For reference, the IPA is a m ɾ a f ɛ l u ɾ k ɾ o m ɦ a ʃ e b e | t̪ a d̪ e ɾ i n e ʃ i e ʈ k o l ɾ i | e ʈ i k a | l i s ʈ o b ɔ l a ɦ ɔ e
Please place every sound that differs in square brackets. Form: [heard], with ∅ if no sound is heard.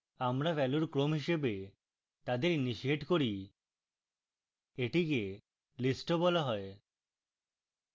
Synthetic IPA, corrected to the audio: a m ɾ a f ɛ l u ɾ k ɾ o m ɦ [i] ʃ e b e | t̪ a d̪ e ɾ i n [i] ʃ i e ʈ k o [∅] ɾ i | e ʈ i k [e] | l i s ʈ o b ɔ l a ɦ ɔ e